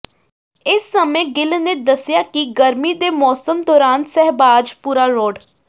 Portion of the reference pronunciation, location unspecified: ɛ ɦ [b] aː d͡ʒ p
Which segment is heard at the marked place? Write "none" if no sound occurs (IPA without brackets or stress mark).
b